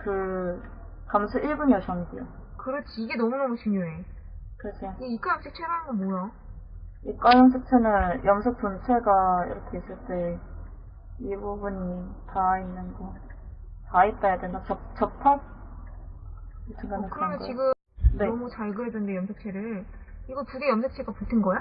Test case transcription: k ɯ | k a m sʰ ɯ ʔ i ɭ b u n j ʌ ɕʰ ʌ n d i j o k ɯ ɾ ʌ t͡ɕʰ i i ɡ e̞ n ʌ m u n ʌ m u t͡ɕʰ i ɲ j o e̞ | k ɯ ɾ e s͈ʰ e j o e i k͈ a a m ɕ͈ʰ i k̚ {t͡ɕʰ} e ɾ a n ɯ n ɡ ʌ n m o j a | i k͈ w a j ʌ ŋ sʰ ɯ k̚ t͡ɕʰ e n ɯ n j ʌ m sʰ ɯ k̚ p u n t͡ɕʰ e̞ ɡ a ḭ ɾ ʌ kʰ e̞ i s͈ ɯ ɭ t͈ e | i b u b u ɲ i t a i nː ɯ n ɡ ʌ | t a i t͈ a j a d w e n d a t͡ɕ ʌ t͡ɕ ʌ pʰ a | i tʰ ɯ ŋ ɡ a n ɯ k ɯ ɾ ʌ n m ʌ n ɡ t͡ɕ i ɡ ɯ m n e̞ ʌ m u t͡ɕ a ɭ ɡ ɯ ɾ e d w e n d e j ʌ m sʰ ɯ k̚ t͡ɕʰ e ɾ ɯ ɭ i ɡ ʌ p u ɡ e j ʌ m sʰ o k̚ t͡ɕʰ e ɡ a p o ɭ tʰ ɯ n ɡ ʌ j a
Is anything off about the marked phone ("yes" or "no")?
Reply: no